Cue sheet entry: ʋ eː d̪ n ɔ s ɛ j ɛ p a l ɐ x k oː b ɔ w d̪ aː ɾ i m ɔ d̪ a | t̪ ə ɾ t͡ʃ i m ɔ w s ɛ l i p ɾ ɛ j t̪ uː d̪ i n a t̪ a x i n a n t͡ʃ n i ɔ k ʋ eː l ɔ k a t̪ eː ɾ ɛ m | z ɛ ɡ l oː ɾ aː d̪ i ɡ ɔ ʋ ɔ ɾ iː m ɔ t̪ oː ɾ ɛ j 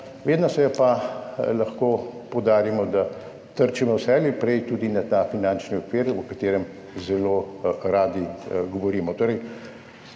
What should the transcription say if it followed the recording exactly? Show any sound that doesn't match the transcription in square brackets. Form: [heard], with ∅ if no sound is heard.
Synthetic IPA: ʋ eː d̪ n ɔ s ɛ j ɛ p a l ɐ x k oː [p] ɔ w d̪ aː ɾ i m ɔ d̪ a | t̪ ə ɾ t͡ʃ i m ɔ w s ɛ l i p ɾ ɛ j t̪ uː d̪ i n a t̪ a [f] i n a n t͡ʃ n i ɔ k ʋ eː [ɾ] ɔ k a t̪ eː ɾ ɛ m | z ɛ [∅] l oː ɾ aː d̪ i ɡ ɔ ʋ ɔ ɾ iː m ɔ t̪ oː ɾ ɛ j